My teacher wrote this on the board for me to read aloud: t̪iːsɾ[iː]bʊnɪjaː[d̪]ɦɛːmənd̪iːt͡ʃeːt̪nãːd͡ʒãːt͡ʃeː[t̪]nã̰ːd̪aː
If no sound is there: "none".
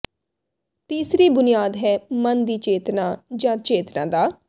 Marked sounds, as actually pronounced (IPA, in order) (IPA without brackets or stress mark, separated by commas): iː, d̪, t̪